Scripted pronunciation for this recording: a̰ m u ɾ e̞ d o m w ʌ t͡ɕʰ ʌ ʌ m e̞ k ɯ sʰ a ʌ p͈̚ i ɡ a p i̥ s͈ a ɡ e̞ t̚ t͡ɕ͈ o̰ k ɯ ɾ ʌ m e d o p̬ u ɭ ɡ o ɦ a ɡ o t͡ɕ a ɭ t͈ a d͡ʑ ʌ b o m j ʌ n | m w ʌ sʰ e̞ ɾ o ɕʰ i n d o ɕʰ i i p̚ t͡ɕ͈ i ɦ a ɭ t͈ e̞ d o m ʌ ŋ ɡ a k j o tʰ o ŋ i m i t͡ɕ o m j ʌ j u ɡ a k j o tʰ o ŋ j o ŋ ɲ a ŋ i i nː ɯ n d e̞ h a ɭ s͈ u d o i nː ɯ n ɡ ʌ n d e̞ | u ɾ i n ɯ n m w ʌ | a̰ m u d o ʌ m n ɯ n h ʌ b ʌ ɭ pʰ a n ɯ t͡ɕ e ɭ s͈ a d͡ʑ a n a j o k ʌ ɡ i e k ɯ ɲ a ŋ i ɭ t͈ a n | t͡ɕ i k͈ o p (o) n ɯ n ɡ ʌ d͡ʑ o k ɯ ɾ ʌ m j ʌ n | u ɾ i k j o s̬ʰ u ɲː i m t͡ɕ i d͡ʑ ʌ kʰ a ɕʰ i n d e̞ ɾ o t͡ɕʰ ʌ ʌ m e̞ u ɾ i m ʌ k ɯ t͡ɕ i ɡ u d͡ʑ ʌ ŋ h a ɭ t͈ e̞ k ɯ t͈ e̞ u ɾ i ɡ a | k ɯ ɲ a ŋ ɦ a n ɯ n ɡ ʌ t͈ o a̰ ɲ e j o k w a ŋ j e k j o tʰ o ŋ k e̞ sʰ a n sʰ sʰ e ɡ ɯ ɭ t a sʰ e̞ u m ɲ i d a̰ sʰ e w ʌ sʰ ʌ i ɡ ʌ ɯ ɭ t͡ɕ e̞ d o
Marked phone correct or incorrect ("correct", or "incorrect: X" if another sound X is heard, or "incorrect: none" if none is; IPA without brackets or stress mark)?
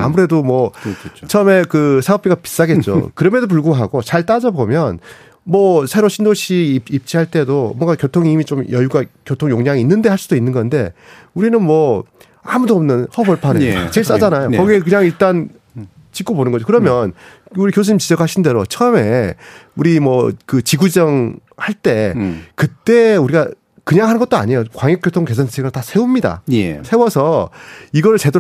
correct